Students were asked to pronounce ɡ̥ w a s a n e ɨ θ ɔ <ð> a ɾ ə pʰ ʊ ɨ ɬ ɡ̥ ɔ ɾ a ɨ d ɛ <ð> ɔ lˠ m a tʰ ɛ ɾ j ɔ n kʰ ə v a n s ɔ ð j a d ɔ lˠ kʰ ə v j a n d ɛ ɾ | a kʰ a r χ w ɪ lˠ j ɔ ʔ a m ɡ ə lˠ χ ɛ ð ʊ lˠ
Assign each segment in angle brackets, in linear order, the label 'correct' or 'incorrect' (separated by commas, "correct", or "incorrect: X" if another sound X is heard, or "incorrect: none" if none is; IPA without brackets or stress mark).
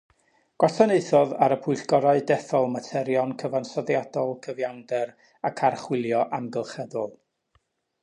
correct, incorrect: θ